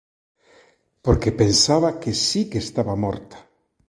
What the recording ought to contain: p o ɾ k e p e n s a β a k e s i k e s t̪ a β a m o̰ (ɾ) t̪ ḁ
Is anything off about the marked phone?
no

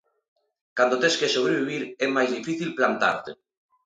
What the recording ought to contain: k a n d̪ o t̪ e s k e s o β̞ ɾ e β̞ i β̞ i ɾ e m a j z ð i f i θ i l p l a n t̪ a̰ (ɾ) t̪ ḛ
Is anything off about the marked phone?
no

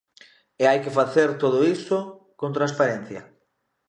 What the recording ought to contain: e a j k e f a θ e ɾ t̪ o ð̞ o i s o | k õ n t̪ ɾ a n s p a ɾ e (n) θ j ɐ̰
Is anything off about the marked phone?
no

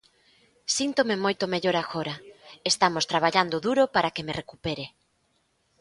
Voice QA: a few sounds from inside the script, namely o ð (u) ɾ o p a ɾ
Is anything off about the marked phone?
no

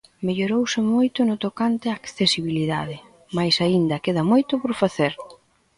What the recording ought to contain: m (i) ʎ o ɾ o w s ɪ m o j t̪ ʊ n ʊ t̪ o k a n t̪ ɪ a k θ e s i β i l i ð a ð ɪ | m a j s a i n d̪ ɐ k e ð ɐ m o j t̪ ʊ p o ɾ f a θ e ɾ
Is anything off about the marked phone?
yes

